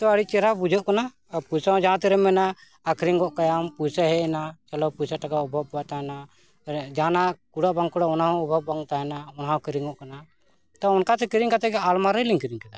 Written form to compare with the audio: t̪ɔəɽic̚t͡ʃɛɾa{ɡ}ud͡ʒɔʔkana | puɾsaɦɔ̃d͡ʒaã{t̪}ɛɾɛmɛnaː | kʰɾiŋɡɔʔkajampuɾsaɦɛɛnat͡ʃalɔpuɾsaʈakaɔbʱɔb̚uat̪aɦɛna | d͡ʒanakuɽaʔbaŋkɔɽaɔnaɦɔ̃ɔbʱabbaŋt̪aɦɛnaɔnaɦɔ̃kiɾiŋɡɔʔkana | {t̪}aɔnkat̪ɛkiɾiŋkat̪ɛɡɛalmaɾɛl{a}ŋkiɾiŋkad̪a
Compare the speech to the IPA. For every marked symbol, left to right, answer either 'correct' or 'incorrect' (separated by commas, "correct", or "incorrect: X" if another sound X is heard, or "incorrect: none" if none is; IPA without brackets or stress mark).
incorrect: b, correct, correct, incorrect: i